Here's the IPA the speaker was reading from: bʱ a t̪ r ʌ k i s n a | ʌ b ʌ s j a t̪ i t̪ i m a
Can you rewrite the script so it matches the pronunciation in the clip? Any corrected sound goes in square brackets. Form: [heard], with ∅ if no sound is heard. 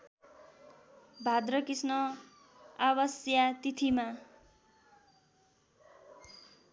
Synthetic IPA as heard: bʱ a [d̪] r ʌ k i s n [ʌ] | [a] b ʌ s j a t̪ i [t̪ʰ] i m a